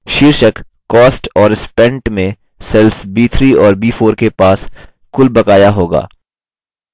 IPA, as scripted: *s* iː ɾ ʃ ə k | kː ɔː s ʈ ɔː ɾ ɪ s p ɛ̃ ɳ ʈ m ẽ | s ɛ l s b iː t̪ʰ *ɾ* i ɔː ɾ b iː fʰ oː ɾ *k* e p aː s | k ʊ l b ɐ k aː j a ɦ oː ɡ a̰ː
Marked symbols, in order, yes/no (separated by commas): no, yes, yes